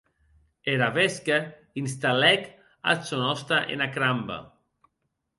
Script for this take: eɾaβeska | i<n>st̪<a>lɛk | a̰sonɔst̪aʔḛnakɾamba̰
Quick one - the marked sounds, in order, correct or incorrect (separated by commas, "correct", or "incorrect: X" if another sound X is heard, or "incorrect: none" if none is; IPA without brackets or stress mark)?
correct, correct